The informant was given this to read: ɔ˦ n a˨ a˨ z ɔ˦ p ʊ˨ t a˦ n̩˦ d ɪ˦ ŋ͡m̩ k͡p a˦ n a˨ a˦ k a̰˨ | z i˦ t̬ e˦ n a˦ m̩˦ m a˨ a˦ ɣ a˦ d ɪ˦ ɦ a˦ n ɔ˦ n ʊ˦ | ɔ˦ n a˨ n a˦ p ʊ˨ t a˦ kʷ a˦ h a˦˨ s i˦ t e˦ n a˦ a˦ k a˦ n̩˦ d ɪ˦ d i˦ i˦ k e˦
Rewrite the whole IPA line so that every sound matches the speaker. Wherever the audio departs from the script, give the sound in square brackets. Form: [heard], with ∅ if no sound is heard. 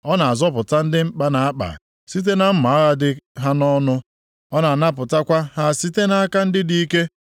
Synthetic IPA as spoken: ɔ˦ n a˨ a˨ z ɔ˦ p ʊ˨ t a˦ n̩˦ d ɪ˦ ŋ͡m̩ k͡p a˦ n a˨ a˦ [k͡p] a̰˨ | [s] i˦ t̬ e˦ n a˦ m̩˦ m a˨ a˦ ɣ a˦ d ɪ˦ ɦ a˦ n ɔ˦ n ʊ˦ | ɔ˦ n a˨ n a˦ p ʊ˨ t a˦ kʷ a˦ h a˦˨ s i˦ t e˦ n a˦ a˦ k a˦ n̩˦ d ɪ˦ d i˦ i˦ k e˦